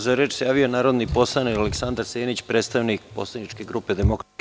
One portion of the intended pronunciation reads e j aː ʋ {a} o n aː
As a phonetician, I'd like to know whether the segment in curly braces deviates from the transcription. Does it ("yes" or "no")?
yes